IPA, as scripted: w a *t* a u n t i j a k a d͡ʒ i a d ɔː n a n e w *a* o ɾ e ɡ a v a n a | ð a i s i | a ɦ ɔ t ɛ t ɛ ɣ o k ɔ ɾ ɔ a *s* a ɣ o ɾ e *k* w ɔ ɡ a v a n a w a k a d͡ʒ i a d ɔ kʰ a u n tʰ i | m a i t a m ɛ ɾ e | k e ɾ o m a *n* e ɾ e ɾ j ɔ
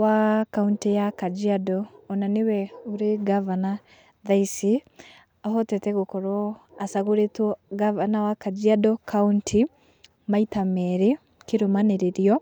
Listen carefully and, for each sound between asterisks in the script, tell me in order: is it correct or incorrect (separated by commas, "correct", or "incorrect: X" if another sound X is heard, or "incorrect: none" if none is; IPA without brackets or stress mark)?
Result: incorrect: k, incorrect: ɛ, correct, incorrect: t, correct